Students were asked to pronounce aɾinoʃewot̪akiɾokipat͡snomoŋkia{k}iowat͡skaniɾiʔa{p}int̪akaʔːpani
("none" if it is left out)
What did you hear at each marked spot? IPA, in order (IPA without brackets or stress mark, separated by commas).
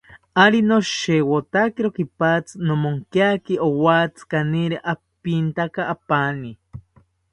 k, p